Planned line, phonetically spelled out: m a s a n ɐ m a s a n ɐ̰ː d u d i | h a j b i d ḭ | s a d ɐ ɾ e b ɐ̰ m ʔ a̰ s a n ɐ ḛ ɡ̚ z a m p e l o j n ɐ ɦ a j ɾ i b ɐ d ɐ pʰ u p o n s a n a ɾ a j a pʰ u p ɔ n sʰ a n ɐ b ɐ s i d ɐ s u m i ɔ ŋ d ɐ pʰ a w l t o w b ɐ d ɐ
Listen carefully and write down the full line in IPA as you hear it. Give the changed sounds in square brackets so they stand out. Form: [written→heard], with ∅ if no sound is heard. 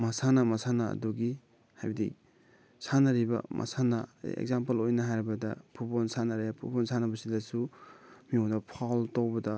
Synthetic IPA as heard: m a s a n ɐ m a s a n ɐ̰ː d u [d→ɡ] i | h a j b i d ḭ | s a [d→n] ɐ ɾ [e→i] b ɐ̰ m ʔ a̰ s a n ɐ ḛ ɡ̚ z a m p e l o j n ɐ ɦ a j ɾ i b ɐ d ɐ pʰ u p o n s a n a ɾ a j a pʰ u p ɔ n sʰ a n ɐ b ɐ s i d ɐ s u m i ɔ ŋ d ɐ pʰ a w l t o w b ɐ d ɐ